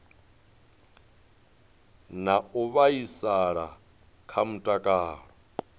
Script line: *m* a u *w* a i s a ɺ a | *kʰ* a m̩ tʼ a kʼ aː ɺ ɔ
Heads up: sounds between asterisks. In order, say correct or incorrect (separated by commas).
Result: incorrect, incorrect, correct